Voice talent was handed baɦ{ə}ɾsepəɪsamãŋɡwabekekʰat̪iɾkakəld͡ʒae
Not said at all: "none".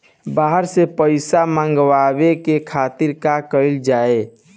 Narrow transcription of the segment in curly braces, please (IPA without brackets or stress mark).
ə